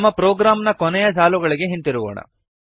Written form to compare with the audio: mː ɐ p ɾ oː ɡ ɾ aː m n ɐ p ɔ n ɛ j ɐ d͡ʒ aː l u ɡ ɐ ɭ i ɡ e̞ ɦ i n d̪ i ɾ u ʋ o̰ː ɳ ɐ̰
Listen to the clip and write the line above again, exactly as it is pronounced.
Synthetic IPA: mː ɐ p ɾ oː ɡ ɾ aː m n ɐ k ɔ n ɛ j ɐ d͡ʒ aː l u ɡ ɐ ɭ i ɡ e̞ ɦ i n t̪ i ɾ u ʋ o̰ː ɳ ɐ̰